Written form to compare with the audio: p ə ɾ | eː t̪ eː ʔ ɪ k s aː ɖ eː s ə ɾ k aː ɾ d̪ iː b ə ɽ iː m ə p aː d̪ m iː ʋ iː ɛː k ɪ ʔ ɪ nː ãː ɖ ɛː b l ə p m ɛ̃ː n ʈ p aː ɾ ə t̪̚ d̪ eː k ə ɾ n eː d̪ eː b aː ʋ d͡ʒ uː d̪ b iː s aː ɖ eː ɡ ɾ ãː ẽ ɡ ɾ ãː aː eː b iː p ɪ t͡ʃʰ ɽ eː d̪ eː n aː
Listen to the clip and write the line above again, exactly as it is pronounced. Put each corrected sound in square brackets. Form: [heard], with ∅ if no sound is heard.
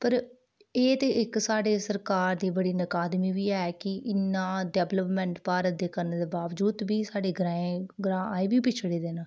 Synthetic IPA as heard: p ə ɾ | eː t̪ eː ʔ ɪ k s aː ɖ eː s ə ɾ k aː ɾ d̪ iː b ə ɽ iː [n] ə [k] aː d̪ m iː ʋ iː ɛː k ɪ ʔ ɪ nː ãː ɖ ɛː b l ə p m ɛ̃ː [ɳ] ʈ p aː ɾ ə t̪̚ d̪ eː k ə ɾ n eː d̪ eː b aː ʋ d͡ʒ uː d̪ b iː s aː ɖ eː ɡ ɾ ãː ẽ ɡ ɾ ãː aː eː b iː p ɪ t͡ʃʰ ɽ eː d̪ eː n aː